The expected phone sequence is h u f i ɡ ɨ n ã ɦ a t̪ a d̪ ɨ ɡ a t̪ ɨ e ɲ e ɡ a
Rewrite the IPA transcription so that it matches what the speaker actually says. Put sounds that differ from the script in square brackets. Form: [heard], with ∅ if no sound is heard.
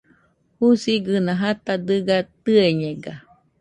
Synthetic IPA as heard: h u [s] i ɡ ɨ n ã ɦ a t̪ a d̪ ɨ ɡ a t̪ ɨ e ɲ e ɡ a